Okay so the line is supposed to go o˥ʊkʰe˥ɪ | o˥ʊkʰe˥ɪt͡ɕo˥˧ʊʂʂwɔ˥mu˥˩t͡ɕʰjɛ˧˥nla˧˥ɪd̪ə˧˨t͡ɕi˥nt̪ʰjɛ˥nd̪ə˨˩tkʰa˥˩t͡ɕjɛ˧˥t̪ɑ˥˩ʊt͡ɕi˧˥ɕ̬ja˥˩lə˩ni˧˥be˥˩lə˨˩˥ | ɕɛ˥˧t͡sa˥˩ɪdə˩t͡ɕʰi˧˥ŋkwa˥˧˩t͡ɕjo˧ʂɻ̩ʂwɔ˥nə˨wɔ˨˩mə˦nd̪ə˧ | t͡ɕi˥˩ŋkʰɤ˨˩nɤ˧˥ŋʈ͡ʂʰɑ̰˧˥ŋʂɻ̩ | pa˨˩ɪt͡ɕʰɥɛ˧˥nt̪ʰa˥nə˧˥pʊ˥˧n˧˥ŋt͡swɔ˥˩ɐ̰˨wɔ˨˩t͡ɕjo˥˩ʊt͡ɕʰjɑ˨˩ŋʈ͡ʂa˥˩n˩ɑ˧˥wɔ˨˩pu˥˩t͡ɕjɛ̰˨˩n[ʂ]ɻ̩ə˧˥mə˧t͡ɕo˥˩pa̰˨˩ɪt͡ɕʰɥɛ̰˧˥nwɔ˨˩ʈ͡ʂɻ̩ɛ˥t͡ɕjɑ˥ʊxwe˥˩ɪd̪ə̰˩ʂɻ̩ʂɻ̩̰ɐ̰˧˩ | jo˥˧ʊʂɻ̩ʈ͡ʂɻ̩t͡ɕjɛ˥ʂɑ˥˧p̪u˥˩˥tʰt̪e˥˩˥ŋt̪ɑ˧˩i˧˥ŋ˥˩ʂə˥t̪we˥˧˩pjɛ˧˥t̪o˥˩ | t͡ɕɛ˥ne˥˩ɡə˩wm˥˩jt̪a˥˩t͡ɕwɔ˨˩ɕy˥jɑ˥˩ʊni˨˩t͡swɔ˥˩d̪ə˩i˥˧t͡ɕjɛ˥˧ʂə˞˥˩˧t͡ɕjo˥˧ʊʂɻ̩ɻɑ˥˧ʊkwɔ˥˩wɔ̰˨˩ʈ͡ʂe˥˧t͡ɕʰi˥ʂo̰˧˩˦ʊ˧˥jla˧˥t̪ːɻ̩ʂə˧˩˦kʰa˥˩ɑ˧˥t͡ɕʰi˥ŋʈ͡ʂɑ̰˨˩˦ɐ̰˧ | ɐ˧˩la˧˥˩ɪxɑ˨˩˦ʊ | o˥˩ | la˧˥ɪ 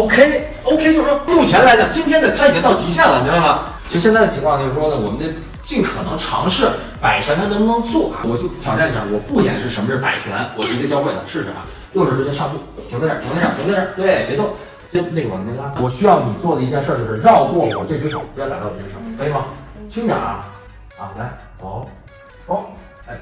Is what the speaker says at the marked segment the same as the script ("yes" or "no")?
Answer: yes